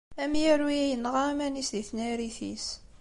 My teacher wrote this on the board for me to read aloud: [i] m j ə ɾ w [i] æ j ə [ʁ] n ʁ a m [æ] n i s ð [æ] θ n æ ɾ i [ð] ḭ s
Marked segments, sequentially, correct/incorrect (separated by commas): incorrect, correct, incorrect, correct, incorrect, incorrect